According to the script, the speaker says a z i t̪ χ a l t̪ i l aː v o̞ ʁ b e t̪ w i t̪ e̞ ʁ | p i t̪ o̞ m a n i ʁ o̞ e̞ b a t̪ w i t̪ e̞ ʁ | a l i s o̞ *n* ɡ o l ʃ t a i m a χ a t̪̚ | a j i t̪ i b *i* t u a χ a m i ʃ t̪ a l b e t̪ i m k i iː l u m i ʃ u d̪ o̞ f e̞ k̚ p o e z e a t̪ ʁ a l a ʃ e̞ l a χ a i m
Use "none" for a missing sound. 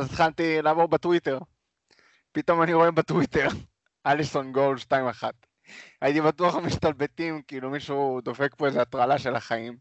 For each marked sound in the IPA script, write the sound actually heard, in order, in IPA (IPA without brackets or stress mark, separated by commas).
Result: n, a